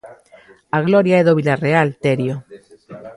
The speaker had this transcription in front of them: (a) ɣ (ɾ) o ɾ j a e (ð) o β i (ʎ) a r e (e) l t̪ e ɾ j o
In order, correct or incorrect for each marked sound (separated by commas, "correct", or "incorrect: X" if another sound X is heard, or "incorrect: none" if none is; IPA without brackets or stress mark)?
correct, incorrect: l, correct, incorrect: l, incorrect: a